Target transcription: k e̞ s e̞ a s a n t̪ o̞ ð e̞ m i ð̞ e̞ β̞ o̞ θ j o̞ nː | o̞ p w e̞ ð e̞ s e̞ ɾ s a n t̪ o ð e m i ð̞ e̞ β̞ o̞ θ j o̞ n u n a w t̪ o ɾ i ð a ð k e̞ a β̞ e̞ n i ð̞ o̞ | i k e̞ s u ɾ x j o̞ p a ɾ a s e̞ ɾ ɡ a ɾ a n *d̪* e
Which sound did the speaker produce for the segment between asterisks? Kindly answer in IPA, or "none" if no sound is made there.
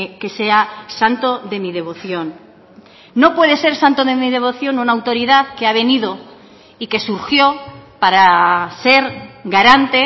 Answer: t̪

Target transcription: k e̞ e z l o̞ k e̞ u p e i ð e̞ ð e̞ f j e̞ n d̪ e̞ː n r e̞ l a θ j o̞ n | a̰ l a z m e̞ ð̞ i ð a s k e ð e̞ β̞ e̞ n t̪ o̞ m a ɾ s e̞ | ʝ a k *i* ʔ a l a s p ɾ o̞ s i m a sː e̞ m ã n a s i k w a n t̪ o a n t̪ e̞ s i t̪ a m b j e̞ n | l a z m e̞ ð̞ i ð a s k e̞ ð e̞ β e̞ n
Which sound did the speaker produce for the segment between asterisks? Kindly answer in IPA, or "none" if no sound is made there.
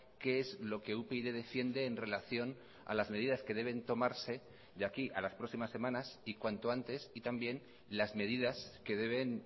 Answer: i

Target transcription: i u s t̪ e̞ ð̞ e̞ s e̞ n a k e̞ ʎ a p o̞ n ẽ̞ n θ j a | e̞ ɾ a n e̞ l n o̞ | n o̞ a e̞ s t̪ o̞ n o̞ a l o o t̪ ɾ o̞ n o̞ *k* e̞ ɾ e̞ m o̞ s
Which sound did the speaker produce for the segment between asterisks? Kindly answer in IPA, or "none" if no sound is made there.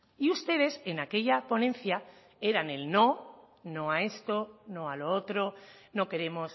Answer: k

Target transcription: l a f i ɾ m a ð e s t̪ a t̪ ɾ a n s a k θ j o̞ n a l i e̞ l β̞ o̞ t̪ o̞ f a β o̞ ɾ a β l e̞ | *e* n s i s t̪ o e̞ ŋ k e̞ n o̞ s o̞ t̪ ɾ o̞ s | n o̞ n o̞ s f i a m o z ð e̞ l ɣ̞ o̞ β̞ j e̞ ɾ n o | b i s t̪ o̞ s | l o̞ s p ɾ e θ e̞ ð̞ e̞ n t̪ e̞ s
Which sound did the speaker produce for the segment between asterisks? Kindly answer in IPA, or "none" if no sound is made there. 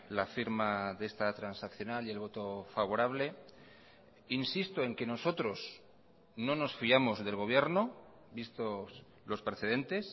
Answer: i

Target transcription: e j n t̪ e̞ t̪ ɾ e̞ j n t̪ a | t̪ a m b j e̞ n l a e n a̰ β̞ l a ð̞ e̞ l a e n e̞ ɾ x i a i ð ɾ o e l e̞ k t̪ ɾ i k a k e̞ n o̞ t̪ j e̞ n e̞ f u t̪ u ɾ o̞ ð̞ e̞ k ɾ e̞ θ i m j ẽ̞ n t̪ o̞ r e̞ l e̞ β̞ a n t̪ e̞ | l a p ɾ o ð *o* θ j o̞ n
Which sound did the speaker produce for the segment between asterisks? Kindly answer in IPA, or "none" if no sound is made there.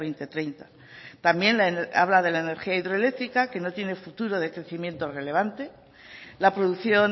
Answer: u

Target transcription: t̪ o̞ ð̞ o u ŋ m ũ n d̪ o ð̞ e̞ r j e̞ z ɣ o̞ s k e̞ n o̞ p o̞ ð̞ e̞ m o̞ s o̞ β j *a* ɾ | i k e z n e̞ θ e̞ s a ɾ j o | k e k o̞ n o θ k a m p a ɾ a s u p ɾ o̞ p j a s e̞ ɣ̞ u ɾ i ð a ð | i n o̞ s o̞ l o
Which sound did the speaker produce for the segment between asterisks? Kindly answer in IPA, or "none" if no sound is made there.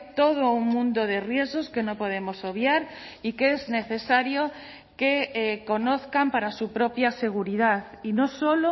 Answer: a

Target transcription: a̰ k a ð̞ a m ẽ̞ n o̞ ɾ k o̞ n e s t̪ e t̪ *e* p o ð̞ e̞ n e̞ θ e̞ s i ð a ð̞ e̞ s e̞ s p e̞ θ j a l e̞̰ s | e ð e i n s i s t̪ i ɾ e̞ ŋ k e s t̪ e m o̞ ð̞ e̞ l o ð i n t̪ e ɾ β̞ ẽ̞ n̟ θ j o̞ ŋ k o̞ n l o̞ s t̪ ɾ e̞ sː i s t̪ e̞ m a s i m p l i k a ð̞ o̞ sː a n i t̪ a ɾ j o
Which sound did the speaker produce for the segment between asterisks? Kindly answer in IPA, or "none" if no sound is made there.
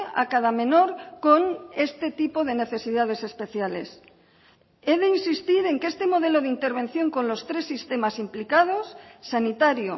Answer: i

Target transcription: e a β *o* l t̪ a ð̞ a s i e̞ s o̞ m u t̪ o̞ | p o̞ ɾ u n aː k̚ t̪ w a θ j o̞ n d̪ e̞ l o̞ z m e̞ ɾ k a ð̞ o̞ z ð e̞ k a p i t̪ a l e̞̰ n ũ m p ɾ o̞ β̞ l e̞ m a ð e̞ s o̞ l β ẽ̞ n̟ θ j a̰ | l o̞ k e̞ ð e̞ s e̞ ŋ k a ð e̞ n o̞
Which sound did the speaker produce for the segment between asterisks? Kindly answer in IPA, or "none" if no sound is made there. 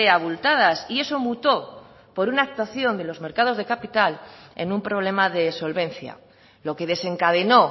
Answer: u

